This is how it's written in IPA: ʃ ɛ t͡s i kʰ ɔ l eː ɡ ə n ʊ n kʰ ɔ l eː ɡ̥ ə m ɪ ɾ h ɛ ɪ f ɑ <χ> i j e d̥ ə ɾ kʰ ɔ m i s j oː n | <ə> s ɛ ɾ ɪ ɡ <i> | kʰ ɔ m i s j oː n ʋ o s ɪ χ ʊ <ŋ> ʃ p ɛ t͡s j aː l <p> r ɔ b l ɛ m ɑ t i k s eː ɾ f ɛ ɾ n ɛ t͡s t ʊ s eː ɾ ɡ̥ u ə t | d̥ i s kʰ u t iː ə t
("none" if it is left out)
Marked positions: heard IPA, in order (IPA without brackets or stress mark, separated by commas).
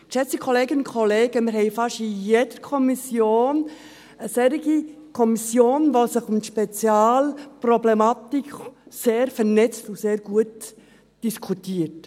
ʃ, ə, i, m, p